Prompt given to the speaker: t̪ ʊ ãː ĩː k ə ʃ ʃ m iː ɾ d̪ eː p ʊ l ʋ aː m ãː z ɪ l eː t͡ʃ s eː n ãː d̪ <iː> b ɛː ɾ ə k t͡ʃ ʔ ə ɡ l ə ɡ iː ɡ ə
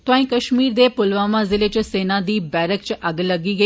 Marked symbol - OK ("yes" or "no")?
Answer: yes